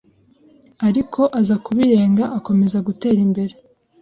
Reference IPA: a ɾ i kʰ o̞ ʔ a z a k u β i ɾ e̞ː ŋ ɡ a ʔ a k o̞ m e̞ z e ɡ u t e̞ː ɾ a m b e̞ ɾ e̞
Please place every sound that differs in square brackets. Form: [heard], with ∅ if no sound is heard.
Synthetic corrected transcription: a ɾ i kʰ o̞ ʔ a z a k u β i ɾ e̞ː ŋ ɡ a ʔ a k o̞ m e̞ z [a] ɡ u t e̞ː ɾ [i] m b e̞ ɾ e̞